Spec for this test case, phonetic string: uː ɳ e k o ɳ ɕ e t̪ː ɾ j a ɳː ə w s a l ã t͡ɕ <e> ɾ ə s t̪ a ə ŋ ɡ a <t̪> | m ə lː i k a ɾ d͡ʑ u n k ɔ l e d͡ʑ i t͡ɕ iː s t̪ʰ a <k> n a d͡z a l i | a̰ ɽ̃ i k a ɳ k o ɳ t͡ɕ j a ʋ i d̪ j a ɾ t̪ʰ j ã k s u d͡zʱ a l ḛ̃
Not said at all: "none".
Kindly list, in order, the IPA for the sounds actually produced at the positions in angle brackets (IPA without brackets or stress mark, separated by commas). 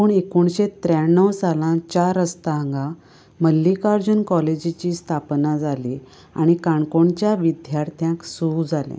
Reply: a, none, p